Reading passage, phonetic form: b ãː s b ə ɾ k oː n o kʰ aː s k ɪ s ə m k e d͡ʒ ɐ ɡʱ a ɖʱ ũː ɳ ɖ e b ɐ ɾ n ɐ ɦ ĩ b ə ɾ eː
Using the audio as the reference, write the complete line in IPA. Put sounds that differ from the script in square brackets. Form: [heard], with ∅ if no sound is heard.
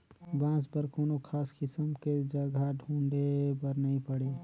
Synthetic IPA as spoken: b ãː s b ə ɾ k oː n o kʰ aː s k ɪ s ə m k e d͡ʒ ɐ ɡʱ a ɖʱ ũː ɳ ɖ e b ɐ ɾ n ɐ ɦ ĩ [p] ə [ɽ] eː